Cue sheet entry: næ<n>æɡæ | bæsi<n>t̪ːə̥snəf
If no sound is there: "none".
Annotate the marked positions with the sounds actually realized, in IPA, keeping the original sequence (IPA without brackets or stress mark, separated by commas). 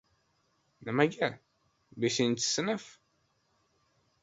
m, n